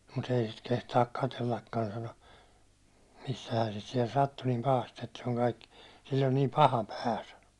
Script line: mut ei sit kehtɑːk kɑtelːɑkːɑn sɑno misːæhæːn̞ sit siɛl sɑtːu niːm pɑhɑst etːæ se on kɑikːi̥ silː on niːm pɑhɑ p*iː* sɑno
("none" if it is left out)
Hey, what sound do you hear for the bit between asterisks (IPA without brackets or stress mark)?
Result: æː